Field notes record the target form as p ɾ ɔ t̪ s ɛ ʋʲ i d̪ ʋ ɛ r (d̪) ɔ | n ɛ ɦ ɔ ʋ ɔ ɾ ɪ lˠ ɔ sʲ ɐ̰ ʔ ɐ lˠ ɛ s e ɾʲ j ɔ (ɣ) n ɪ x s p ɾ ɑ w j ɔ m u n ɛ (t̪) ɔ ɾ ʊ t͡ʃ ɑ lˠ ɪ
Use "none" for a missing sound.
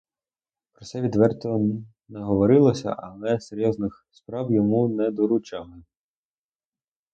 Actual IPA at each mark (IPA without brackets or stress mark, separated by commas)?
t̪, z, d̪